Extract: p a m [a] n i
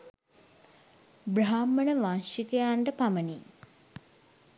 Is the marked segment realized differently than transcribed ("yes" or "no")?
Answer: yes